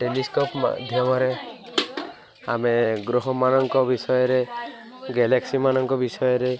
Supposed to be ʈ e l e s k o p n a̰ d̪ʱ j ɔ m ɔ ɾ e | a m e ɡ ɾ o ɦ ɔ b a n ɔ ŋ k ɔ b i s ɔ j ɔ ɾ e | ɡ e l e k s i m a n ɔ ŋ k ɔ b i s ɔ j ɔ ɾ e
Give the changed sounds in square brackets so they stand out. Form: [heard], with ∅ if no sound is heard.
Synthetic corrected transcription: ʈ e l [i] s k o p [m] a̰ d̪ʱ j ɔ m ɔ ɾ e | a m e ɡ ɾ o ɦ ɔ [m] a n ɔ ŋ k ɔ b i s ɔ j ɔ ɾ e | ɡ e l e k s i m a n ɔ ŋ k ɔ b i s ɔ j ɔ ɾ e

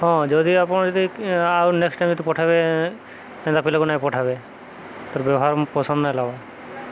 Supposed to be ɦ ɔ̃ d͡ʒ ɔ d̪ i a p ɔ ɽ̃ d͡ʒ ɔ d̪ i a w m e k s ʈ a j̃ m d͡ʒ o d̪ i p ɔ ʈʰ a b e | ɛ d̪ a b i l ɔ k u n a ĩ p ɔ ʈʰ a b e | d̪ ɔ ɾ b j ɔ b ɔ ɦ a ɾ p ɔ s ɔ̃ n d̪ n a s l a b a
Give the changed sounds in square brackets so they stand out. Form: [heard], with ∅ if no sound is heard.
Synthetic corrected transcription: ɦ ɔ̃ d͡ʒ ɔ d̪ i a p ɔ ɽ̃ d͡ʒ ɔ d̪ i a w [n] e k s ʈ a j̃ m d͡ʒ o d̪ i p ɔ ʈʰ a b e | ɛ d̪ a [p] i l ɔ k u n a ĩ p ɔ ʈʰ a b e | [t̪] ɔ ɾ b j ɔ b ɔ ɦ a ɾ p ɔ s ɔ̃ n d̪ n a [∅] l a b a

